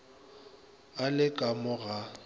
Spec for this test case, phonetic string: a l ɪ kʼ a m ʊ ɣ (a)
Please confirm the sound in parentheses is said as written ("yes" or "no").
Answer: yes